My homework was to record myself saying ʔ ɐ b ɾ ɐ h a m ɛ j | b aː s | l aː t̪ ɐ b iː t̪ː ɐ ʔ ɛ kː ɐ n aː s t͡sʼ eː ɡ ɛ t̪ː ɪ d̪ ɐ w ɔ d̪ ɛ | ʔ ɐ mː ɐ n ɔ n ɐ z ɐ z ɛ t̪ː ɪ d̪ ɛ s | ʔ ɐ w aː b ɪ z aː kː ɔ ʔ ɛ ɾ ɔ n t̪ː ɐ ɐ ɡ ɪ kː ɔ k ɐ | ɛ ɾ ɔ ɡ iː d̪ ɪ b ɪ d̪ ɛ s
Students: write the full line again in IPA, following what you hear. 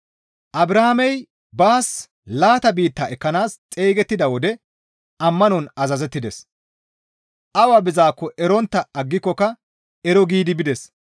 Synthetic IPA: ʔ ɐ b ɾ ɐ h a m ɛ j | b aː s | l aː t̪ ɐ b iː t̪ː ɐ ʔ ɛ kː ɐ n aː s t͡sʼ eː ɡ ɛ t̪ː ɪ d̪ ɐ w ɔ d̪ ɛ | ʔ ɐ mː ɐ n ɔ n ɐ z ɐ z ɛ t̪ː ɪ d̪ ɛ s | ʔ ɐ w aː b ɪ z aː kː ɔ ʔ ɛ ɾ ɔ n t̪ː ɐ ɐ ɡː ɪ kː ɔ k ɐ | ɛ ɾ ɔ ɡ iː d̪ ɪ b ɪ d̪ ɛ s

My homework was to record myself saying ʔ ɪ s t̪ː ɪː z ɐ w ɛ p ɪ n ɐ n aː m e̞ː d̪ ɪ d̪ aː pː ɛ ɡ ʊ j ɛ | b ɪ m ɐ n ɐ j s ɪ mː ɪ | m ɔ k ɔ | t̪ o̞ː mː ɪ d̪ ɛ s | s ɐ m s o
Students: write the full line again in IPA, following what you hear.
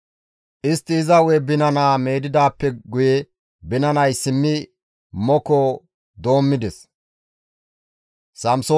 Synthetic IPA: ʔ ɪ s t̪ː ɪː z ɐ w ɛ b ɪ n ɐ n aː m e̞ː d̪ ɪ d̪ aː pː ɛ ɡ ʊ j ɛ | b ɪ n ɐ n ɐ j s ɪ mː ɪ | m ɔ k ɔ | d̪ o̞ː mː ɪ d̪ ɛ s | s ɐ m s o

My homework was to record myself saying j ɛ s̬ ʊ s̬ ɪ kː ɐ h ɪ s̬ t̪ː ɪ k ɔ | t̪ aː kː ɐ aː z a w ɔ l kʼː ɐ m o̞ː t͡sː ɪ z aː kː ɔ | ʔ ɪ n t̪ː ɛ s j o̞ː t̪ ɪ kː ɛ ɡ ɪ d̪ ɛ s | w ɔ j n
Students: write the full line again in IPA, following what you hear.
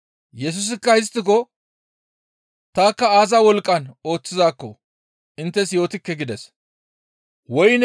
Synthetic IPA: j ɛ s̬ ʊ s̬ ɪ kː ɐ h ɪ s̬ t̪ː ɪ k ɔ | t̪ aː kː ɐ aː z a w ɔ l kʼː ɐ n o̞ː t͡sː ɪ z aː kː ɔ | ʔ ɪ n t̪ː ɛ s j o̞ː t̪ ɪ kː ɛ ɡ ɪ d̪ ɛ s | w ɔ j n

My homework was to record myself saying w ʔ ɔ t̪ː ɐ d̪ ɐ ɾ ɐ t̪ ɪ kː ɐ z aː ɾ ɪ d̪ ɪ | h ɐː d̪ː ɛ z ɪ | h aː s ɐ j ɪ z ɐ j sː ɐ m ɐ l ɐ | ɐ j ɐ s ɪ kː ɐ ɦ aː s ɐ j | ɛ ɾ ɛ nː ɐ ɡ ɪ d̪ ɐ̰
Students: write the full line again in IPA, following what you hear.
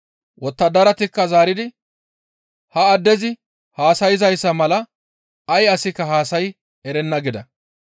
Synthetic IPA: w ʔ ɔ t̪ː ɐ d̪ ɐ ɾ ɐ t̪ ɪ kː ɐ z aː ɾ ɪ d̪ ɪ | h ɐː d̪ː ɛ z ɪ | h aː s ɐ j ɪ z ɐ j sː ɐ m ɐ l ɐ | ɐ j ɐ s ɪ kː ɐ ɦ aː s ɐ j | ɛ ɾ ɛ nː ɐ ɡ ɪ d̪ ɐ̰

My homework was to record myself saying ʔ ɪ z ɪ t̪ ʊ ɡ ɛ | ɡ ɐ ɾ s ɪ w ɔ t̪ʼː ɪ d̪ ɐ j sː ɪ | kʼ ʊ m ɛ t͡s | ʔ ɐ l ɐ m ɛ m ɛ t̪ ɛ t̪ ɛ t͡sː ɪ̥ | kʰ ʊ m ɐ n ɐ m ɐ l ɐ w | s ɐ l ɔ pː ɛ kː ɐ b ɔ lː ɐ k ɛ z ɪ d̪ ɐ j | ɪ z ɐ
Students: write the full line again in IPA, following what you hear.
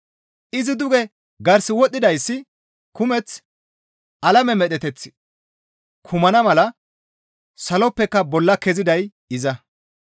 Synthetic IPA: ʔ ɪ z ɪ d̪ ʊ ɡ ɛ | ɡ ɐ ɾ s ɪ w ɔ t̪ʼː ɪ d̪ ɐ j sː ɪ | k ʊ m ɛ t͡s | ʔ ɐ l ɐ m ɛ m ɛ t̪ ɛ t̪ ɛ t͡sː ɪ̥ | kʰ ʊ m ɐ n ɐ m ɐ l ɐ | s ɐ l ɔ pː ɛ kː ɐ b ɔ lː ɐ k ɛ z ɪ d̪ ɐ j | ɪ z ɐ

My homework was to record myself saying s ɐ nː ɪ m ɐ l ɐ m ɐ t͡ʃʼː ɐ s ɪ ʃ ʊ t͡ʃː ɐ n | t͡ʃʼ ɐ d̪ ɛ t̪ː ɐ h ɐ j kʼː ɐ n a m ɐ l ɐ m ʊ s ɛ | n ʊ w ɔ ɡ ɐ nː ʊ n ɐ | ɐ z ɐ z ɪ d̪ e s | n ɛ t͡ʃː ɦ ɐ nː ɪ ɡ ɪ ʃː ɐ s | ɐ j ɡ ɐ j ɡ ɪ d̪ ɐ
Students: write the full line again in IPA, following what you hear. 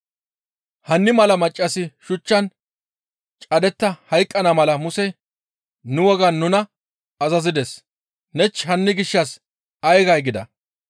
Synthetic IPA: h ɐ nː ɪ m ɐ l ɐ m ɐ t͡ʃʼː ɐ s ɪ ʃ ʊ t͡ʃː ɐ n | t͡ʃʼ ɐ d̪ ɛ t̪ː ɐ h ɐ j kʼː ɐ n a m ɐ l ɐ m ʊ s ɛ | n ʊ w ɔ ɡ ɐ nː ʊ n ɐ | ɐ z ɐ z ɪ d̪ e s | n ɛ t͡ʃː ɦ ɐ nː ɪ ɡ ɪ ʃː ɐ s | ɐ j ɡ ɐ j ɡ ɪ d̪ ɐ

